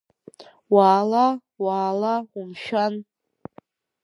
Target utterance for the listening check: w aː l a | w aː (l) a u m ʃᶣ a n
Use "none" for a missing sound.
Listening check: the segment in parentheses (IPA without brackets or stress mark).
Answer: l